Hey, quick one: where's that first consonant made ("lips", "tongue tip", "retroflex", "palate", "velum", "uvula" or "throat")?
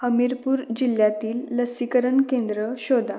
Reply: throat